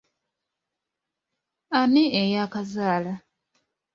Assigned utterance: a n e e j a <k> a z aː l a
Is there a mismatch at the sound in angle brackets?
no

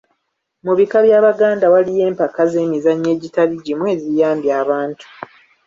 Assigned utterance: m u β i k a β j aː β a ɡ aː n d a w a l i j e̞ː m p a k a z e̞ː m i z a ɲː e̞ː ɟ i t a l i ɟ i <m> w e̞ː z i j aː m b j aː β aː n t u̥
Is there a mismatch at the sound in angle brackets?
no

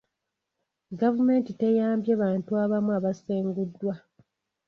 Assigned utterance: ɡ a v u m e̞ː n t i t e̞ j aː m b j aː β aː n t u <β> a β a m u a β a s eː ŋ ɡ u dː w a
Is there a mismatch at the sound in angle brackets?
yes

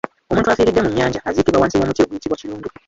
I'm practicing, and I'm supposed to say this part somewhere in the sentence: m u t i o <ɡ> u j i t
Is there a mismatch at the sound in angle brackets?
no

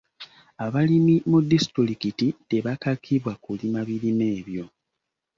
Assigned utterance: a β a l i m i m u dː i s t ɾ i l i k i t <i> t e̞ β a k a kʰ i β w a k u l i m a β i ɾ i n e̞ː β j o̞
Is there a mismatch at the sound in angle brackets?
no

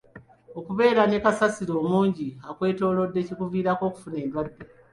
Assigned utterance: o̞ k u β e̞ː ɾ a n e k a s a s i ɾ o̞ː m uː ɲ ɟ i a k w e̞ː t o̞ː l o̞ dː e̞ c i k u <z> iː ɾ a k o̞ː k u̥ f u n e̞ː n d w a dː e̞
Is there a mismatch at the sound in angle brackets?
yes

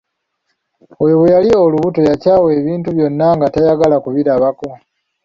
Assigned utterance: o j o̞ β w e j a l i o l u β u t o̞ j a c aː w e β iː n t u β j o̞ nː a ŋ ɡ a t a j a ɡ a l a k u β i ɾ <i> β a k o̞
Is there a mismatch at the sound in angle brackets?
yes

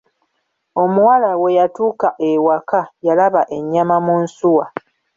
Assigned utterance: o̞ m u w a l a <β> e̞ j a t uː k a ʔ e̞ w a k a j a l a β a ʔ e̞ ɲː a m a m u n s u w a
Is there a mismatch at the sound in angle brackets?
yes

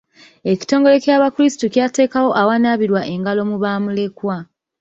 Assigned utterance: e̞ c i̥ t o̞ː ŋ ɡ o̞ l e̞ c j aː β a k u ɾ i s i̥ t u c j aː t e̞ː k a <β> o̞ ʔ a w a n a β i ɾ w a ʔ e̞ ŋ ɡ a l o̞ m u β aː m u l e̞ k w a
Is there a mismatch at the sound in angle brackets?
yes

